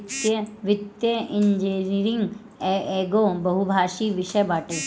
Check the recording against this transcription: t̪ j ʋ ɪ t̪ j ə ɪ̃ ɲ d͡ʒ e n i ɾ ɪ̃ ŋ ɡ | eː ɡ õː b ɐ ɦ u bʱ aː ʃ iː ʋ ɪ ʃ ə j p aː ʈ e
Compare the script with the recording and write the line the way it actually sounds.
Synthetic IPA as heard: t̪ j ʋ ɪ t̪ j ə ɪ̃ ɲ d͡ʒ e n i ɾ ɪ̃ ŋ ɡ | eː ɡ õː b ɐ ɦ u bʱ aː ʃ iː ʋ ɪ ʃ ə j b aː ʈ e